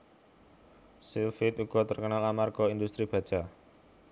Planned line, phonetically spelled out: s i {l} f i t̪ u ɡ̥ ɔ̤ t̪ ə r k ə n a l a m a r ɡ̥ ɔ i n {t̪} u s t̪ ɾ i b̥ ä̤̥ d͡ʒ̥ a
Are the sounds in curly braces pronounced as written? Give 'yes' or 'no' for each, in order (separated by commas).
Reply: yes, no